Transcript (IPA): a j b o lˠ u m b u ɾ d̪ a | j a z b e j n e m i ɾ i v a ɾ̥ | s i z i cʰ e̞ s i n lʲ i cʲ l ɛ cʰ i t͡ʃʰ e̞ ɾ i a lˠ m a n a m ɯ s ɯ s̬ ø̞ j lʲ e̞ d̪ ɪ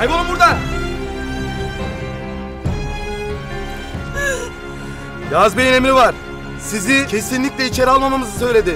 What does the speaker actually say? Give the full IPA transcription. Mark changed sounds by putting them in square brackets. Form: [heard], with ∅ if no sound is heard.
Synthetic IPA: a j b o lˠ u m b u ɾ d̪ a | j a z b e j n e m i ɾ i v a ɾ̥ | s i z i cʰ e̞ s i n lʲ i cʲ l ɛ [∅] i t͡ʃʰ e̞ ɾ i a lˠ m a [m] a m ɯ [z] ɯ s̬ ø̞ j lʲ e̞ d̪ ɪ